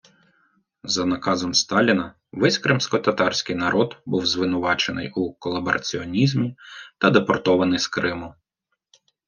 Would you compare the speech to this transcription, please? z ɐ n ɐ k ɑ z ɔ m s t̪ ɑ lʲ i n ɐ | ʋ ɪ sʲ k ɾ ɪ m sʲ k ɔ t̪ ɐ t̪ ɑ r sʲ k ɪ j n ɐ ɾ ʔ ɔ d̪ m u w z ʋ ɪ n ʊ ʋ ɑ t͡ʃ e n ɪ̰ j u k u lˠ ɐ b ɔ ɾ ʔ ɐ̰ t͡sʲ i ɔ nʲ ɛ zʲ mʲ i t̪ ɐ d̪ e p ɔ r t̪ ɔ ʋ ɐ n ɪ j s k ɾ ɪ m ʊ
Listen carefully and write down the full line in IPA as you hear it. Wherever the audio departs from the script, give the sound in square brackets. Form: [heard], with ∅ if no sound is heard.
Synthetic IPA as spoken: z ɐ n ɐ k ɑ z ɔ m s t̪ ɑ lʲ i n ɐ | ʋ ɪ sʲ k ɾ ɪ m sʲ k ɔ t̪ ɐ t̪ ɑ r sʲ k ɪ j n ɐ ɾ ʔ ɔ d̪ [b] u w z ʋ ɪ n ʊ ʋ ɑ t͡ʃ e n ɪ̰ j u k [ɔ] lˠ ɐ b ɔ ɾ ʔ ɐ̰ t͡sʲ i ɔ nʲ [i] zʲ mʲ i t̪ ɐ d̪ e p ɔ r t̪ ɔ ʋ ɐ n ɪ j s k ɾ ɪ m ʊ